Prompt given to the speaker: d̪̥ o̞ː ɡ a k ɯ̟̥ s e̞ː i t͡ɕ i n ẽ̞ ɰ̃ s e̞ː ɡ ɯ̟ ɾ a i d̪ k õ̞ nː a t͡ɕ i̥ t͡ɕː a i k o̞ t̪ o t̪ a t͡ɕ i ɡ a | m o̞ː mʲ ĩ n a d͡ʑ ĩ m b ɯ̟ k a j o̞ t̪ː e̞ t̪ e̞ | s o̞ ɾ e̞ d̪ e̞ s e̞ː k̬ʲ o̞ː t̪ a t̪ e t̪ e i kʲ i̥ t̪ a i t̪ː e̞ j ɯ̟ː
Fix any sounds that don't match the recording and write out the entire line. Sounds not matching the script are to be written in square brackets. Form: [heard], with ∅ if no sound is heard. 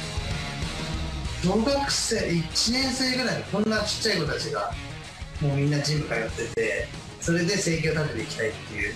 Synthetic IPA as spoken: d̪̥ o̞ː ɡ a k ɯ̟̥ s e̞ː i t͡ɕ i n ẽ̞ ɰ̃ s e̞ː ɡ ɯ̟ ɾ a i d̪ k õ̞ nː a t͡ɕ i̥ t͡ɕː a i k o̞ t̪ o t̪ a t͡ɕ i ɡ a | m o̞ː mʲ ĩ [nː] a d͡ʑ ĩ m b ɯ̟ k a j o̞ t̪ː e̞ t̪ e̞ | s o̞ ɾ e̞ d̪ e̞ s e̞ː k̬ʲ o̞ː t̪ a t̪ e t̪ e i kʲ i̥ t̪ a i t̪ː e̞ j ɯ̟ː

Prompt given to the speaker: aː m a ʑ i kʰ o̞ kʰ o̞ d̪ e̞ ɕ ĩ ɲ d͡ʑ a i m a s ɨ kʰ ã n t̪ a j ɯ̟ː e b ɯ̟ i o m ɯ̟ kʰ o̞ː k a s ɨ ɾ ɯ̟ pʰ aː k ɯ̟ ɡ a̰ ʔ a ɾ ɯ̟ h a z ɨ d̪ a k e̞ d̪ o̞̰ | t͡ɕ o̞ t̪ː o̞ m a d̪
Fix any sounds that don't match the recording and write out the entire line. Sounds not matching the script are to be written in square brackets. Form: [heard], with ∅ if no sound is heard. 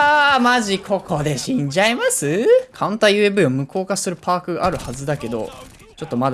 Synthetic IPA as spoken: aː m a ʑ i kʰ o̞ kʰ o̞ d̪ e̞ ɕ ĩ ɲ d͡ʑ a i m a s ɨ kʰ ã n t̪ a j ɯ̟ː e b ɯ̟ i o m ɯ̟ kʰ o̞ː k a s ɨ ɾ ɯ̟ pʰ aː k ɯ̟ ɡ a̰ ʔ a ɾ ɯ̟ h a z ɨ d̪ a k e̞ d̪ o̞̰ | t͡ɕ o̞ t̪ː o̞ m a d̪

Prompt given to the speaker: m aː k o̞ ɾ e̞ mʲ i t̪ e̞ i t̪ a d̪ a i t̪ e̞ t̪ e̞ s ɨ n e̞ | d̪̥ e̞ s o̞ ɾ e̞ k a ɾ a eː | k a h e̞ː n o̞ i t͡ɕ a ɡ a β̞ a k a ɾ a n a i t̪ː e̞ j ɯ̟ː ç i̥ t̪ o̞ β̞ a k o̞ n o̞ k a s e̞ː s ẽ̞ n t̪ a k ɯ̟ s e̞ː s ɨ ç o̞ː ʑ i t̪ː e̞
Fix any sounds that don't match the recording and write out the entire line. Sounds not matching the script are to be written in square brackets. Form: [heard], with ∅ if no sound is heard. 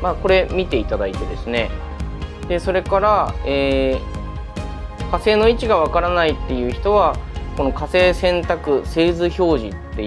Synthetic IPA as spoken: m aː k o̞ ɾ e̞ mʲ i t̪ e̞ i t̪ a d̪ a i t̪ e̞ [d̪] e̞ s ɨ n e̞ | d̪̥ e̞ s o̞ ɾ e̞ k a ɾ a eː | k a [s] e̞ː n o̞ i t͡ɕ [i] ɡ a β̞ a k a ɾ a n a i t̪ː e̞ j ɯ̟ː ç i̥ t̪ o̞ β̞ a k o̞ n o̞ k a s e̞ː s ẽ̞ n t̪ a k ɯ̟ s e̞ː [z] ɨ ç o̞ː ʑ i t̪ː e̞

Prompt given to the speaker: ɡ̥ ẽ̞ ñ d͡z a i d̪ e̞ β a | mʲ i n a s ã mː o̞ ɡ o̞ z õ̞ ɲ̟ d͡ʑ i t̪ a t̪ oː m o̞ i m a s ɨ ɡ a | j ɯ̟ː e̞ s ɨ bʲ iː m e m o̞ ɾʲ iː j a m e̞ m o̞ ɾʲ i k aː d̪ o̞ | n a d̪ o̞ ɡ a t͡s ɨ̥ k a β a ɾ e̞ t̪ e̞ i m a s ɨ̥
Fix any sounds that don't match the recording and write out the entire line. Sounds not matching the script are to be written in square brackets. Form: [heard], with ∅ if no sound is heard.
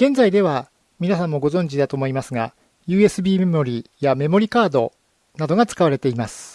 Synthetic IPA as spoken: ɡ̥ ẽ̞ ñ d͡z a i d̪ e̞ β a | mʲ i n a s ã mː o̞ ɡ o̞ z õ̞ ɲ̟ d͡ʑ i [d̪] a t̪ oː m o̞ i m a s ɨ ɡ a | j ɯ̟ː e̞ s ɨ bʲ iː m e m o̞ ɾʲ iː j a m e̞ m o̞ ɾʲ i k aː d̪ o̞ | n a d̪ o̞ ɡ a t͡s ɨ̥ k a β a ɾ e̞ t̪ e̞ i m a s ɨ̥

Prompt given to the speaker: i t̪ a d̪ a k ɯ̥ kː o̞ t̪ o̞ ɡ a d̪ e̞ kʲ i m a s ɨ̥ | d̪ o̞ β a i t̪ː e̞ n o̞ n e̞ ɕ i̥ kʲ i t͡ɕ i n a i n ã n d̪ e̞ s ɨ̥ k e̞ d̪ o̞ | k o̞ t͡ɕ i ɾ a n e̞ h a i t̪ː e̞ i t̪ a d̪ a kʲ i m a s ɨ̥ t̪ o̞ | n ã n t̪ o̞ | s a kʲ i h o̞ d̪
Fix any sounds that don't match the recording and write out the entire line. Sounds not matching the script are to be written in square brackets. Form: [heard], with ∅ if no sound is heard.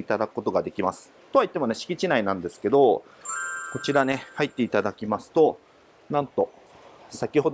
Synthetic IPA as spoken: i t̪ a d̪ a k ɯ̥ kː o̞ t̪ o̞ ɡ a d̪ e̞ kʲ i m a s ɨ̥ | [t̪] o̞ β a i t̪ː e̞ [m] o̞ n e̞ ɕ i̥ kʲ i t͡ɕ i n a i n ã n d̪ e̞ s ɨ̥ k e̞ d̪ o̞ | k o̞ t͡ɕ i ɾ a n e̞ h a i t̪ː e̞ i t̪ a d̪ a kʲ i m a s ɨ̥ t̪ o̞ | n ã n t̪ o̞ | s a kʲ i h o̞ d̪

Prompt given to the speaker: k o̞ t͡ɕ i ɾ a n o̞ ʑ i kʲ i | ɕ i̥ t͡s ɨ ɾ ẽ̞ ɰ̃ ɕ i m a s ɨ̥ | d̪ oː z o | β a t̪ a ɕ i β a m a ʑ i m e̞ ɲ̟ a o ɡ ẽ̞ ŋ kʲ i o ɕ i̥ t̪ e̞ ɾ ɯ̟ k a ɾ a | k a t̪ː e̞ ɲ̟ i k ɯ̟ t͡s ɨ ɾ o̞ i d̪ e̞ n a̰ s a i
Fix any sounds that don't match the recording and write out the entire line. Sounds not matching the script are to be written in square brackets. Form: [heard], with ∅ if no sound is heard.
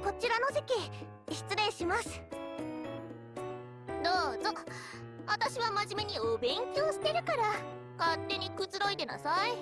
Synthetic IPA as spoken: k o̞ t͡ɕ i ɾ a n o̞ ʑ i kʲ i | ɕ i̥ t͡s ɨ ɾ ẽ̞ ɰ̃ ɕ i m a s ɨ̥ | d̪ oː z o | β a t̪ a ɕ i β a m a ʑ i m e̞ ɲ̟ [i] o [b] ẽ̞ ŋ kʲ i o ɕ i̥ t̪ e̞ ɾ ɯ̟ k a ɾ a | k a t̪ː e̞ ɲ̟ i k ɯ̟ t͡s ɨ ɾ o̞ i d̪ e̞ n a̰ s a i

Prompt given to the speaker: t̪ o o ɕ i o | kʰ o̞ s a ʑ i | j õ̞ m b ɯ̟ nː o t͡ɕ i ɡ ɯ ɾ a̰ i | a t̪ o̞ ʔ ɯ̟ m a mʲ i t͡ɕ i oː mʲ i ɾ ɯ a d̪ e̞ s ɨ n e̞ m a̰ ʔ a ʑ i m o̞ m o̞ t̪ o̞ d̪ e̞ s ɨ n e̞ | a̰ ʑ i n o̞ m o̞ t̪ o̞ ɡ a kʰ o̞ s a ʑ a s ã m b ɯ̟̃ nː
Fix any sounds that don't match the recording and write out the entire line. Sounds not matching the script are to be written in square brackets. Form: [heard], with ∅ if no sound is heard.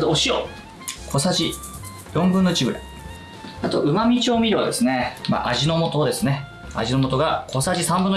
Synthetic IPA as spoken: t̪ o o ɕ i o | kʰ o̞ s a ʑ i | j õ̞ m b ɯ̟ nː o t͡ɕ i ɡ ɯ ɾ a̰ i | a t̪ o̞ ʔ ɯ̟ m a mʲ i t͡ɕ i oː mʲ i ɾ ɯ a d̪ e̞ s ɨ n e̞ m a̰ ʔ a ʑ i [n] o̞ m o̞ t̪ o̞ d̪ e̞ s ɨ n e̞ | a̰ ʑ i n o̞ m o̞ t̪ o̞ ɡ a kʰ o̞ s a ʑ [i] s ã m b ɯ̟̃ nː

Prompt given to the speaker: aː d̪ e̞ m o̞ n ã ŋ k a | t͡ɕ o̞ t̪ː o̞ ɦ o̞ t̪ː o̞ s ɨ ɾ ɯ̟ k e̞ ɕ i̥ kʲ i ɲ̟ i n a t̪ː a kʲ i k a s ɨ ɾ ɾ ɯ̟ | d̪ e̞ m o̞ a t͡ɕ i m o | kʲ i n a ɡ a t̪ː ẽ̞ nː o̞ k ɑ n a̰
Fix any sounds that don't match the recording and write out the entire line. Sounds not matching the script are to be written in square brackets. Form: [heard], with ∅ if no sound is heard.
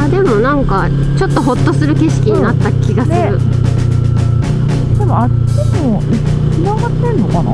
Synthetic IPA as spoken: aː d̪ e̞ m o̞ n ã ŋ k a | t͡ɕ o̞ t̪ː o̞ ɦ o̞ t̪ː o̞ s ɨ ɾ ɯ̟ k e̞ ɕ i̥ kʲ i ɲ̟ i n a t̪ː a kʲ i [ɡ] a s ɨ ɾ ɾ ɯ̟ | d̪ e̞ m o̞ a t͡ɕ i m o | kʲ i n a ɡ a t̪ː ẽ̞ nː o̞ k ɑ n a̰

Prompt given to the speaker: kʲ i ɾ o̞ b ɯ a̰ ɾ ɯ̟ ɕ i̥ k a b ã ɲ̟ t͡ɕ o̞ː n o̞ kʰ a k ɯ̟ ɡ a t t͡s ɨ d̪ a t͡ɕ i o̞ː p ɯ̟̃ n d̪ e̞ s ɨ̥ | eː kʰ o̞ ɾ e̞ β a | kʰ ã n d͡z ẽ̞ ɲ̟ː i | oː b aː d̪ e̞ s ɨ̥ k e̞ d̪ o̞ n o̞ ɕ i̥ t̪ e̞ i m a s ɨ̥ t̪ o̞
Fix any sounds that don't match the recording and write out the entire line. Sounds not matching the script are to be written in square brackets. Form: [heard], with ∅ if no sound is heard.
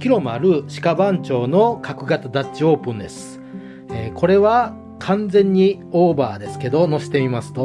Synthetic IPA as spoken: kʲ i ɾ o̞ [m] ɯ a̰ ɾ ɯ̟ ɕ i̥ k a b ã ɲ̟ t͡ɕ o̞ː n o̞ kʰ a k ɯ̟ ɡ a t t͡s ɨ d̪ a t͡ɕ i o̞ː p ɯ̟̃ n d̪ e̞ s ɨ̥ | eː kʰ o̞ ɾ e̞ β a | kʰ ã n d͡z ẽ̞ ɲ̟ː i | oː b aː d̪ e̞ s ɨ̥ k e̞ d̪ o̞ n o̞ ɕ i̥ t̪ e̞ i m a s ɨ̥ t̪ o̞

